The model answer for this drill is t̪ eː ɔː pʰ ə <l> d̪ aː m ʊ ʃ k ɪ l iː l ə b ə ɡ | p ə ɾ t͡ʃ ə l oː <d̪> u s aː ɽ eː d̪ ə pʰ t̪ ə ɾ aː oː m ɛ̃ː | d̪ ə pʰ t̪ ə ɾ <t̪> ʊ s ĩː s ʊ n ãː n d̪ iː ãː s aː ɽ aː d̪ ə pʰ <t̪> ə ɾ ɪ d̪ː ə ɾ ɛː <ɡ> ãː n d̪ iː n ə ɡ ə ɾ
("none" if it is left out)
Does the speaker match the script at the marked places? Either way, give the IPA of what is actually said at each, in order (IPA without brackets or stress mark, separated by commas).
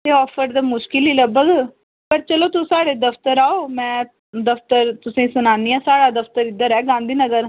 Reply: ɾ, t̪, t̪, t̪, ɡ